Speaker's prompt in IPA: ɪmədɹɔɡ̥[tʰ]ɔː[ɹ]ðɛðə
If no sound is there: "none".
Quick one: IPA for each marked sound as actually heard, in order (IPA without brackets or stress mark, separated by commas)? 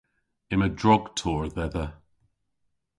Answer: tʰ, ɹ